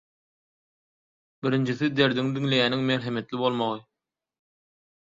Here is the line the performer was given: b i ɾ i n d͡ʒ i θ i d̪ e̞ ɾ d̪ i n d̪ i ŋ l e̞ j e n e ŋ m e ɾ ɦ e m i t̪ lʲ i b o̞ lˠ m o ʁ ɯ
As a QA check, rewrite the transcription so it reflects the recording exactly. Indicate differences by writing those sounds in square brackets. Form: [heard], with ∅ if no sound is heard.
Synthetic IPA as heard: b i ɾ i n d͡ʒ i θ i d̪ e̞ ɾ d̪ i [ŋ] d̪ i ŋ l e̞ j [æ] n [i] ŋ m e ɾ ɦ e m [e] t̪ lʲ i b o̞ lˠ m o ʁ ɯ